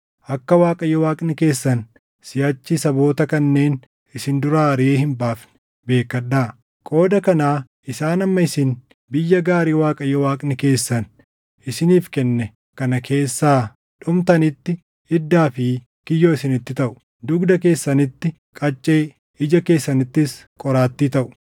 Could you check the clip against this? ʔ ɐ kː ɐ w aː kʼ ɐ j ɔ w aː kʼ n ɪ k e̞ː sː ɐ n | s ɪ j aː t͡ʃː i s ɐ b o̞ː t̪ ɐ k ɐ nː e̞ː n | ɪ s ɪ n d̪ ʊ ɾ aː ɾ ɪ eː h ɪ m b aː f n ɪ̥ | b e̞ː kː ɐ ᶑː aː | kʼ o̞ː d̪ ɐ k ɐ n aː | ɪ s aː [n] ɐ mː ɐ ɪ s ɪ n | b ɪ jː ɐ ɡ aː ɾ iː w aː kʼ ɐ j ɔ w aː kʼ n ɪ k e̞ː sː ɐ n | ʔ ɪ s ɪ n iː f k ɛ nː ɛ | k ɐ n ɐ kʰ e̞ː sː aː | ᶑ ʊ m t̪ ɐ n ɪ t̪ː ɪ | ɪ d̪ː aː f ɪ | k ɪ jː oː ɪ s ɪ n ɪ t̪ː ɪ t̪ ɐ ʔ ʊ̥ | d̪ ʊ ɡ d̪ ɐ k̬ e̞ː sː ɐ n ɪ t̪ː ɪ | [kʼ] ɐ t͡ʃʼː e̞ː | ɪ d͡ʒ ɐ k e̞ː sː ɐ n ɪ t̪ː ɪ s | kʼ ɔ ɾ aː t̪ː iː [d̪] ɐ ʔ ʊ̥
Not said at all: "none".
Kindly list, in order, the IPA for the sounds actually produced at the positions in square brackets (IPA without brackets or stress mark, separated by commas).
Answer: n, kʼ, t̪